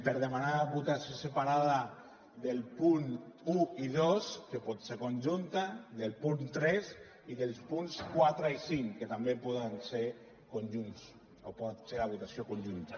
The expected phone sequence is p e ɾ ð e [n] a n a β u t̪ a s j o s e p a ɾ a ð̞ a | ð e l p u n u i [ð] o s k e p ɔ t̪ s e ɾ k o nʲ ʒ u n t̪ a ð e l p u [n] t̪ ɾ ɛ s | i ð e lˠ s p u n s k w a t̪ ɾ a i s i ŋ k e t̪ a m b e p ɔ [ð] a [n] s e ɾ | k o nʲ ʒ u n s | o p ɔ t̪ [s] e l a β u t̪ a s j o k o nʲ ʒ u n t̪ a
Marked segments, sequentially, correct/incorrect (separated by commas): incorrect, correct, correct, correct, correct, correct